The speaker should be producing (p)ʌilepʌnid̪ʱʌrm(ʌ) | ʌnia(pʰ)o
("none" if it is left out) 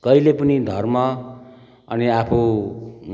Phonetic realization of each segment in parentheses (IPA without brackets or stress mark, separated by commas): k, ʌ, pʰ